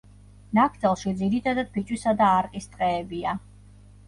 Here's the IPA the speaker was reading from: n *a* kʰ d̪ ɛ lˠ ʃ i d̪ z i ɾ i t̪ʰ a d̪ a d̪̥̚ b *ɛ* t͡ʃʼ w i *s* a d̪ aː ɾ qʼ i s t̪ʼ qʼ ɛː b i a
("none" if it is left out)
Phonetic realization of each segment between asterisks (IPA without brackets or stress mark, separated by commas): a, i, s